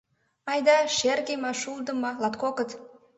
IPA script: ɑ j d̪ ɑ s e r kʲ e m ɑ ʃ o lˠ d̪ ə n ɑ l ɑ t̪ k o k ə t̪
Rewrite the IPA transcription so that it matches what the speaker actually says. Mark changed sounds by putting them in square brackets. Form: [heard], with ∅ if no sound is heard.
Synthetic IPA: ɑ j d̪ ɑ [ʃ] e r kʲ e m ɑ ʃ [u] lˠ d̪ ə [m] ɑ l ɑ t̪ k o k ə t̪